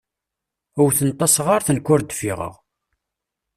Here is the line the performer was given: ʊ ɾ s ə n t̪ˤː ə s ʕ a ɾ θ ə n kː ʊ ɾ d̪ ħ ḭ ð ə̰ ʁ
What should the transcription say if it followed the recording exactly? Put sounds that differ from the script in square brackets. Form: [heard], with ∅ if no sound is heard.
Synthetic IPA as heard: ʊ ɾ [θ] ə n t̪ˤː [ɑ] s [ʁ] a ɾ θ ə n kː ʊ ɾ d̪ [f] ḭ [ʁ] ə̰ ʁ